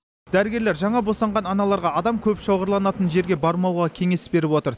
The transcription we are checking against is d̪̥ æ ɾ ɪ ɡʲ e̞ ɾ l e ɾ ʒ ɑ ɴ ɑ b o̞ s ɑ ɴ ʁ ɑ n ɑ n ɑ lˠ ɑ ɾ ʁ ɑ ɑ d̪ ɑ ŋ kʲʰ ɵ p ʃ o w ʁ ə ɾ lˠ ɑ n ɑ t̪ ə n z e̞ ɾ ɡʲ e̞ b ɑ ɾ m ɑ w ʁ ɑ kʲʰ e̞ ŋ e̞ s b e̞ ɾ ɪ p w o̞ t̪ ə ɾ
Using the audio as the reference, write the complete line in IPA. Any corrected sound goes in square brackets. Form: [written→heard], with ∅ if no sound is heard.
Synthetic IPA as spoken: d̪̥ æ ɾ ɪ ɡʲ e̞ ɾ l e ɾ ʒ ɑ ɴ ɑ b o̞ s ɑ ɴ ʁ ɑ n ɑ n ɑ lˠ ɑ ɾ ʁ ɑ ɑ d̪ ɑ [ŋ→m] kʲʰ ɵ p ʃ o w ʁ ə ɾ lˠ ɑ n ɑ t̪ ə n [z→ʒ] e̞ ɾ ɡʲ e̞ b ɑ ɾ m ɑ w ʁ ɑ kʲʰ e̞ ŋ e̞ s b e̞ ɾ ɪ p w o̞ t̪ ə ɾ

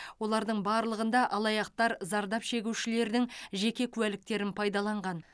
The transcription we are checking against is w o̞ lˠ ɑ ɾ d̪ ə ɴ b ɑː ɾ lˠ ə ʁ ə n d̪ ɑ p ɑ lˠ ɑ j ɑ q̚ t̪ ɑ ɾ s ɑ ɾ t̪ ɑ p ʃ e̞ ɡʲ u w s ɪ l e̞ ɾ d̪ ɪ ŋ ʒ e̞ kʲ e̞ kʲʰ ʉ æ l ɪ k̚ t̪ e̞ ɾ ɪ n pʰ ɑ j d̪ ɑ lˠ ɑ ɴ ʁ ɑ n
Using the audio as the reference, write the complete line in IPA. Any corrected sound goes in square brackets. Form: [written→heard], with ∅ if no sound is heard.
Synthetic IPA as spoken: w o̞ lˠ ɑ ɾ d̪ ə ɴ b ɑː ɾ lˠ ə ʁ ə n d̪ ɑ [p→ʔ] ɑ lˠ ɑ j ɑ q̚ t̪ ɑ ɾ [s→z] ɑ ɾ [t̪→d̪] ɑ p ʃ e̞ ɡʲ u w [s→ʃ] ɪ l e̞ ɾ d̪ ɪ ŋ ʒ e̞ kʲ e̞ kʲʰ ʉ æ l ɪ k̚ t̪ e̞ ɾ ɪ n pʰ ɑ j d̪ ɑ lˠ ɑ ɴ ʁ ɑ n

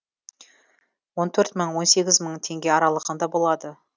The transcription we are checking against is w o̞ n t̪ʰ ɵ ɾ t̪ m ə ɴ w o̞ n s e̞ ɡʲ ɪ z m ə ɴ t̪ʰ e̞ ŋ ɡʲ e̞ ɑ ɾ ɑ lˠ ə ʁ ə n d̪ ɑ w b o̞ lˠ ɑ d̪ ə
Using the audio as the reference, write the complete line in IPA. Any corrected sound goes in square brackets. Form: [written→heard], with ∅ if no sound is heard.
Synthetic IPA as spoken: w o̞ n t̪ʰ ɵ ɾ t̪ m ə ɴ w o̞ n s e̞ ɡʲ ɪ z m ə ɴ t̪ʰ e̞ ŋ ɡʲ e̞ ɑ ɾ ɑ lˠ ə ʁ ə n d̪ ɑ [w→∅] b o̞ lˠ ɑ d̪ ə

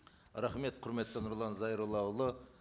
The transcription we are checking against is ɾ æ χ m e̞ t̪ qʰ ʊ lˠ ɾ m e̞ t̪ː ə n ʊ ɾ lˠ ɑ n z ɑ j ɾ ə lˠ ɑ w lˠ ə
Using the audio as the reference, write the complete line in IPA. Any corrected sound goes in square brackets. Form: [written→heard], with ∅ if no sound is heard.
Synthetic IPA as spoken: ɾ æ χ m e̞ t̪ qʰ ʊ [lˠ→∅] ɾ m e̞ t̪ː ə n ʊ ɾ lˠ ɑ n z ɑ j ɾ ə lˠ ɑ w lˠ ə

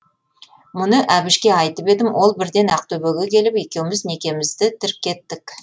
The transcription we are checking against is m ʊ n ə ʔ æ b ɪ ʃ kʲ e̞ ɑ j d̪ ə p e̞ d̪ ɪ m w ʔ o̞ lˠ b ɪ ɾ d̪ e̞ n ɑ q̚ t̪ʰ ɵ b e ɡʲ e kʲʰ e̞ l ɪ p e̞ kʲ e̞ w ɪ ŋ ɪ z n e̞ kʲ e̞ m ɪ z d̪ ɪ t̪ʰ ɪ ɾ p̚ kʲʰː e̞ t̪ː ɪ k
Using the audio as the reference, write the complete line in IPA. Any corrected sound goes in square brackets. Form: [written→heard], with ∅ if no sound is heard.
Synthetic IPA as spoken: m ʊ n ə ʔ æ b ɪ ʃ kʲ e̞ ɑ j [d̪→t̪] ə p e̞ d̪ ɪ m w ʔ o̞ lˠ b ɪ ɾ d̪ e̞ n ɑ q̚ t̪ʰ ɵ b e ɡʲ e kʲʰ e̞ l ɪ p e̞ kʲ e̞ w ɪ [ŋ→m] ɪ z n e̞ kʲ e̞ m ɪ z d̪ ɪ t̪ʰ ɪ ɾ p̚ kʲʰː e̞ t̪ː ɪ k

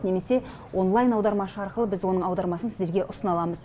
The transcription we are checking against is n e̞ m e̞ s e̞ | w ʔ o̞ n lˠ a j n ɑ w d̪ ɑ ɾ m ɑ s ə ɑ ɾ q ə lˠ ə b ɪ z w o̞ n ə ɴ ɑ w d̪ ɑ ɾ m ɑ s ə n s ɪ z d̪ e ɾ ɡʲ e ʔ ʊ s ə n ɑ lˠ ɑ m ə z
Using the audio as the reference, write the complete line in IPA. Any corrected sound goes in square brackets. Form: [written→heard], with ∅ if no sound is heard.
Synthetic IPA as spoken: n e̞ m e̞ s e̞ | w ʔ o̞ n lˠ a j n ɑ w d̪ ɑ ɾ m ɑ [s→ʃ] ə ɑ ɾ q ə lˠ ə b ɪ z w o̞ n ə ɴ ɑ w d̪ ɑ ɾ m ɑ s ə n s ɪ z d̪ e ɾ ɡʲ e ʔ ʊ s ə n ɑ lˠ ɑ m ə z

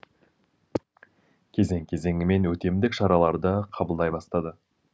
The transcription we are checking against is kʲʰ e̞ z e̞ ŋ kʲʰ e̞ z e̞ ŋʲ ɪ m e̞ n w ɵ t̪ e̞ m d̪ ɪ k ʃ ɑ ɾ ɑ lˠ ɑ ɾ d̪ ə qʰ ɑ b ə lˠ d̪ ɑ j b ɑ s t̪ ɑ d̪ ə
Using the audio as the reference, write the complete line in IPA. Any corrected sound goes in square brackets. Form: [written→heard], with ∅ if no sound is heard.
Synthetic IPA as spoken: kʲʰ e̞ z e̞ ŋ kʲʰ e̞ z e̞ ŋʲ ɪ m e̞ n w ɵ t̪ e̞ m d̪ ɪ k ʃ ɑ ɾ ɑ lˠ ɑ ɾ d̪ ə qʰ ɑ b ə lˠ d̪ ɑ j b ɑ s t̪ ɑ d̪ ə

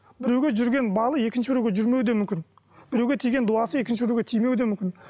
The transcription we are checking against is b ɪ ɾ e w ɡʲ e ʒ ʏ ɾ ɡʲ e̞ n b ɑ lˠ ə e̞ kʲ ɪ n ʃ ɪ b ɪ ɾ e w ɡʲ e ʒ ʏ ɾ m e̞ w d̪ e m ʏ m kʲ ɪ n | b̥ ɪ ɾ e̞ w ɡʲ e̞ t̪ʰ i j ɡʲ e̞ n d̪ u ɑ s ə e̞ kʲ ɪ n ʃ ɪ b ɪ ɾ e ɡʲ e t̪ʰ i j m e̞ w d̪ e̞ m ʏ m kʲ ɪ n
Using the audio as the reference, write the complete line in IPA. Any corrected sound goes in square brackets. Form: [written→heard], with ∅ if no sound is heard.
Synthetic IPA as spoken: b ɪ ɾ e w ɡʲ e ʒ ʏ ɾ ɡʲ e̞ n b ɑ lˠ ə e̞ kʲ ɪ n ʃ ɪ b ɪ ɾ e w ɡʲ e ʒ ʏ ɾ m e̞ w d̪ e m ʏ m kʲ ɪ n | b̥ ɪ ɾ e̞ w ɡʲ e̞ t̪ʰ i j ɡʲ e̞ n d̪ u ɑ s ə e̞ kʲ ɪ n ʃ ɪ b ɪ ɾ e ɡʲ e t̪ʰ i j m e̞ w d̪ e̞ m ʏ m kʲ ɪ n

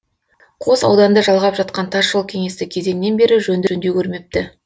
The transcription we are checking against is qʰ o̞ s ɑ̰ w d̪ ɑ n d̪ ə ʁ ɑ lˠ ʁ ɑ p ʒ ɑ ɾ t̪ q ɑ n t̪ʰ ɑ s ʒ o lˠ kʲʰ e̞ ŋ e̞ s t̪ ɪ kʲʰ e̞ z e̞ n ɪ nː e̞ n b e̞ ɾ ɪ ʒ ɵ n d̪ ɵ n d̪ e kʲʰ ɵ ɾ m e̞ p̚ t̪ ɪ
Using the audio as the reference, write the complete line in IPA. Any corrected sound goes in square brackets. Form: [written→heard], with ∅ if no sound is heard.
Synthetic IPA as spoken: qʰ o̞ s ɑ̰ w d̪ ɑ n d̪ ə [ʁ→ʒ] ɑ lˠ ʁ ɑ p ʒ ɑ [ɾ→∅] t̪ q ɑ n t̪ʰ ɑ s ʒ o lˠ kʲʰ e̞ ŋ e̞ s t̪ ɪ kʲʰ e̞ z e̞ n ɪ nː e̞ n b e̞ ɾ ɪ ʒ ɵ n d̪ ɵ n d̪ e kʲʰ ɵ ɾ m e̞ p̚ t̪ ɪ

